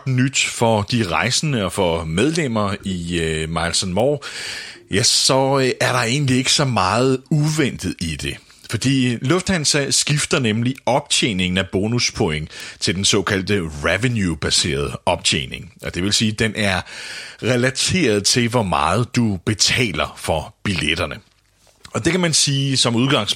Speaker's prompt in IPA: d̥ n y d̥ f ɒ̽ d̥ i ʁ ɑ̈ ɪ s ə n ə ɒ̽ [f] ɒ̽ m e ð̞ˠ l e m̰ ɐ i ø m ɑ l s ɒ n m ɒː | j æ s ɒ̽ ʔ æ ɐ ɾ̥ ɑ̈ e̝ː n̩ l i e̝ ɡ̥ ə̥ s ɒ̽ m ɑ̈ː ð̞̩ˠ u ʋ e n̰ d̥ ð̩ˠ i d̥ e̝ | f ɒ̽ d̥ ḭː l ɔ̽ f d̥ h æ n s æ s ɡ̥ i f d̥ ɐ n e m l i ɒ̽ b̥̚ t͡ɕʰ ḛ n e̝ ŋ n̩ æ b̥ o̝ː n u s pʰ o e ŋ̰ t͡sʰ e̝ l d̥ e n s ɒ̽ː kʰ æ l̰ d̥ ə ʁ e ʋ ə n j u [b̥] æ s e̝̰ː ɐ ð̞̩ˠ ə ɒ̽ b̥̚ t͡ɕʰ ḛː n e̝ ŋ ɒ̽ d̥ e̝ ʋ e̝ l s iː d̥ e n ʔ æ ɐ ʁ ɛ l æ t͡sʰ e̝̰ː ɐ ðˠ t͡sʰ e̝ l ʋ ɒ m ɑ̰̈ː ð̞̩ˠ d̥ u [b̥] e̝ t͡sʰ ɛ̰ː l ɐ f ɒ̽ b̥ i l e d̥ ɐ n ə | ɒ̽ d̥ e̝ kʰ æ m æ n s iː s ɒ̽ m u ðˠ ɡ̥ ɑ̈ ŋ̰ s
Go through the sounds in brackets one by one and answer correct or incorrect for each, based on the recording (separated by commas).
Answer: correct, correct, correct